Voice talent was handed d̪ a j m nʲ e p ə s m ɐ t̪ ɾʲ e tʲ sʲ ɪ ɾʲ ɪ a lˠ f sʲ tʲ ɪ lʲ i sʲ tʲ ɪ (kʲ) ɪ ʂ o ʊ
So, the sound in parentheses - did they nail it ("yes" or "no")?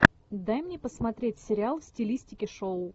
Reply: yes